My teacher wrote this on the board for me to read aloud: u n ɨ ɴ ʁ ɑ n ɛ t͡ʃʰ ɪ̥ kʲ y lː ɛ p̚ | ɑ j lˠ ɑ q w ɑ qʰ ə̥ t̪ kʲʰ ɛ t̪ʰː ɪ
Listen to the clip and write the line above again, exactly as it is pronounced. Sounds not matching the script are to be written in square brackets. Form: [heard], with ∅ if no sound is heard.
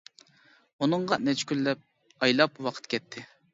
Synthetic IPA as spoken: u n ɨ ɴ ʁ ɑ n ɛ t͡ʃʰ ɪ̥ kʲ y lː ɛ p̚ | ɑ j lˠ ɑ [p] w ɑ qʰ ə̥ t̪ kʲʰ ɛ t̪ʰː ɪ